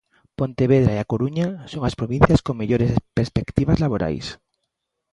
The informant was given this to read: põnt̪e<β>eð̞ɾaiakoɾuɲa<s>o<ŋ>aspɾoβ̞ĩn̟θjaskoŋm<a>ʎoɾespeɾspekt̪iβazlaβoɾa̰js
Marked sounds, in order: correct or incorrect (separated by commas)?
correct, correct, correct, incorrect